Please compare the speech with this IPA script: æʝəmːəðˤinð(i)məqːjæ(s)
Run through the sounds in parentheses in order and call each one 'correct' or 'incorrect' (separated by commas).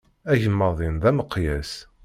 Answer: incorrect, correct